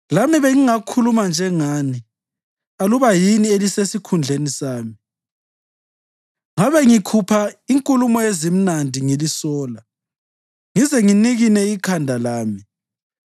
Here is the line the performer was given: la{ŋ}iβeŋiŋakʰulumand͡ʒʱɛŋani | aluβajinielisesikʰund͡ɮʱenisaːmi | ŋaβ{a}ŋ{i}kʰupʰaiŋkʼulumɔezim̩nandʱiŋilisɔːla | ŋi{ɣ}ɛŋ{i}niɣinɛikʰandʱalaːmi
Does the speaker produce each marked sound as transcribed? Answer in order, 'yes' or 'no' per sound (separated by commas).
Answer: no, no, yes, no, yes